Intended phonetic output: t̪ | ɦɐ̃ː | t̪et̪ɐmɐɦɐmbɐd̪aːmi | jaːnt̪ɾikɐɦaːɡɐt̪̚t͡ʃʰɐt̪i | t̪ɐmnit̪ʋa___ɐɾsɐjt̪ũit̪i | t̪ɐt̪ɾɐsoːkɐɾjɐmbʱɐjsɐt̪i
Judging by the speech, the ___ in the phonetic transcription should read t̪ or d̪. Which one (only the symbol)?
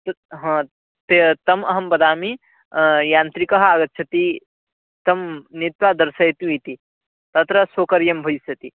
d̪